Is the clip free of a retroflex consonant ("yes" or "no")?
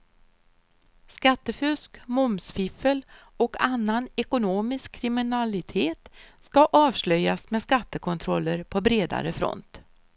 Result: yes